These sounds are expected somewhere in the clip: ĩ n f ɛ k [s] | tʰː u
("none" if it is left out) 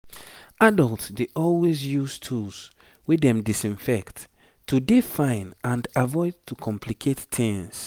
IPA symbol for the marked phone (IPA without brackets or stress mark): t